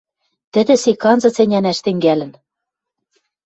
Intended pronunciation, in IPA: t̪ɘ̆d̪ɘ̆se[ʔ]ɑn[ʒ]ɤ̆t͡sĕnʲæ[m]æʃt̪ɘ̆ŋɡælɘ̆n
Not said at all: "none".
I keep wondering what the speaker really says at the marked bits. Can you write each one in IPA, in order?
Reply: k, z, n

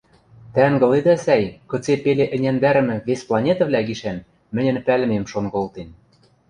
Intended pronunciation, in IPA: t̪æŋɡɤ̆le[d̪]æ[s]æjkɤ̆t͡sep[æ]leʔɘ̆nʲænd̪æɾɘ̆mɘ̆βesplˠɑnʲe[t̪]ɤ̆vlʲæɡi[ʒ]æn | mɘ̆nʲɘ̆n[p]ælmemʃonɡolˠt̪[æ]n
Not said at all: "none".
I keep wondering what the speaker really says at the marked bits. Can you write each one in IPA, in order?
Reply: d̪, s, e, t̪, ʃ, p, e

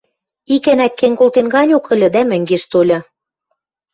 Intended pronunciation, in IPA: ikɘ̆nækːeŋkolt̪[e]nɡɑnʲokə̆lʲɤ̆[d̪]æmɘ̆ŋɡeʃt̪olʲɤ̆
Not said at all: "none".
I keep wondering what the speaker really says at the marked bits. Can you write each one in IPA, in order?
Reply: e, d̪

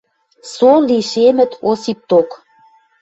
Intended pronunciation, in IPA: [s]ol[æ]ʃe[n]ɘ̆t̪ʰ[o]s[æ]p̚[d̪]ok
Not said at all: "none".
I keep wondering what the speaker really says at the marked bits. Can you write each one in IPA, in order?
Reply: s, i, m, o, i, t̪

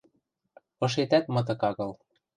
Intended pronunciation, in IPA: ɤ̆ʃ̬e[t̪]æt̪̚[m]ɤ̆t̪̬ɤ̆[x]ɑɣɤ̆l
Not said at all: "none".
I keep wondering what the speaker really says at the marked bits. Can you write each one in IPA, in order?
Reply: t̪, m, k

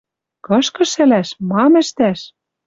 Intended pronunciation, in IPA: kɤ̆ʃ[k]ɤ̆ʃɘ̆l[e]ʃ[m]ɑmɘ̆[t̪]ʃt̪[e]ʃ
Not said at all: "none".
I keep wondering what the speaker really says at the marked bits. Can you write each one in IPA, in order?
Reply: k, æ, m, none, æ

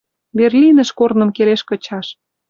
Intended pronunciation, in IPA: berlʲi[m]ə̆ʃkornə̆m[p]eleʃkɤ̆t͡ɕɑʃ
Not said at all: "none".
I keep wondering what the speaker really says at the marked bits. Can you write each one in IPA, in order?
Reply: n, k

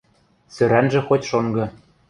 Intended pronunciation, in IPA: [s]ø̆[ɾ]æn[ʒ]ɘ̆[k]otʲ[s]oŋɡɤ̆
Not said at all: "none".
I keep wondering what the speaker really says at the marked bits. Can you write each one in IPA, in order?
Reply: s, ɾ, ʒ, x, ʃ

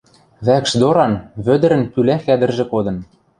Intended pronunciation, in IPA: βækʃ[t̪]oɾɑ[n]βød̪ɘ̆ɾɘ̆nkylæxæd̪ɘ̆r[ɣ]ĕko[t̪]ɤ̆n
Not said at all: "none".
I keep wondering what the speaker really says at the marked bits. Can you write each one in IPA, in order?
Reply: d̪, n, ʒ, d̪

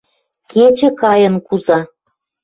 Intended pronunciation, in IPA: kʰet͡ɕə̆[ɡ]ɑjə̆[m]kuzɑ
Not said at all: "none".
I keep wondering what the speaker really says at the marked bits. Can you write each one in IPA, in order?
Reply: k, n

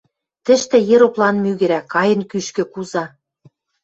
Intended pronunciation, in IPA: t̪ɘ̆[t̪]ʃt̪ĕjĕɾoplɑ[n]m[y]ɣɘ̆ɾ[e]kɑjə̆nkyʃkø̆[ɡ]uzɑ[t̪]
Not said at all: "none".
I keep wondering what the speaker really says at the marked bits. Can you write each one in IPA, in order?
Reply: none, n, y, æ, k, none

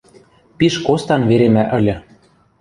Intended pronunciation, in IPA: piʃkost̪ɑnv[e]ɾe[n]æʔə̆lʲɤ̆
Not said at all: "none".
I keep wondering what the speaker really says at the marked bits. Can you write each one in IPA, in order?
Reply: e, m

